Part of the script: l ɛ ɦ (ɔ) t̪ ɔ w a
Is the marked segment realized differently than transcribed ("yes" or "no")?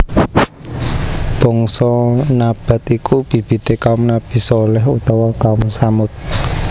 yes